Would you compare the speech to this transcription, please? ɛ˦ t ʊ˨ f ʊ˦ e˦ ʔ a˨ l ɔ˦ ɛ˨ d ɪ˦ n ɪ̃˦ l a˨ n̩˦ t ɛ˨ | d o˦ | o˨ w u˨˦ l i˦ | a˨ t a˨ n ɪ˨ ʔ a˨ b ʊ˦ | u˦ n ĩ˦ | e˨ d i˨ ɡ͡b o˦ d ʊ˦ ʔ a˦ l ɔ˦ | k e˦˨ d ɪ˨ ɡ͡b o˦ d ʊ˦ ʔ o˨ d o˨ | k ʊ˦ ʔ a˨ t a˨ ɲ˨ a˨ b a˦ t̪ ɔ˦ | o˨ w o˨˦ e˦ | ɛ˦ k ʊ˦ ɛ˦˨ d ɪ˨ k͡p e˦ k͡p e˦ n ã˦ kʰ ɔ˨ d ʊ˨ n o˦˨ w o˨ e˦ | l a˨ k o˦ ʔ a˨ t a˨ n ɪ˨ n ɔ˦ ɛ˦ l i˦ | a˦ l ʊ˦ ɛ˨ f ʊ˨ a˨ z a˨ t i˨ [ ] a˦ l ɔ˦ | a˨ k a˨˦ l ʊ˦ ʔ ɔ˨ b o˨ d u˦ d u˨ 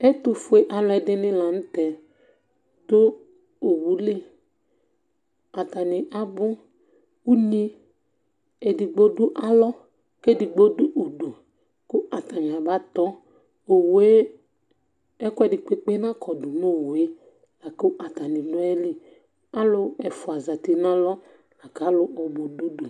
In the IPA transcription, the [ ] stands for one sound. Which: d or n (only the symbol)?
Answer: n